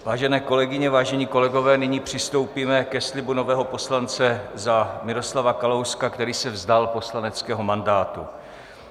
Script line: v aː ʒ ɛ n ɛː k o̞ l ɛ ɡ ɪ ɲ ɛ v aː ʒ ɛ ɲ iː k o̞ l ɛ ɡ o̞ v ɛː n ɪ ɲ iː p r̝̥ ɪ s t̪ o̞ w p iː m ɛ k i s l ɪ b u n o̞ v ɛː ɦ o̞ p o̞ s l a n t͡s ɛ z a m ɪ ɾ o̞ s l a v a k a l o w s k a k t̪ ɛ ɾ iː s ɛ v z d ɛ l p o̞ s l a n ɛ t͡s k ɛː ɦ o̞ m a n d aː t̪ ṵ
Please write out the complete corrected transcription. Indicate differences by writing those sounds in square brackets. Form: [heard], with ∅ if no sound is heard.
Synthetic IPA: v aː ʒ ɛ n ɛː k o̞ l ɛ ɡ ɪ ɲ ɛ v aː ʒ ɛ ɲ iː k o̞ l ɛ ɡ o̞ v ɛː n ɪ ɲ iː p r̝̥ ɪ s t̪ o̞ w p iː m ɛ k [ɛ] s l ɪ b u n o̞ v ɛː ɦ o̞ p o̞ s l a n t͡s ɛ z a m ɪ ɾ o̞ s l a v a k a l o w s k a k t̪ ɛ ɾ iː s ɛ v z d [a] l p o̞ s l a n ɛ t͡s k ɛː ɦ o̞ m a n d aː t̪ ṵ